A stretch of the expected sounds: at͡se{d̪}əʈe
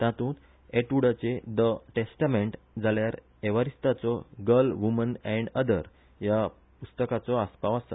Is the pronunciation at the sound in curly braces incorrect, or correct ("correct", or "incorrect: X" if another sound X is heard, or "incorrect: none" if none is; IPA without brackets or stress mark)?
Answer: correct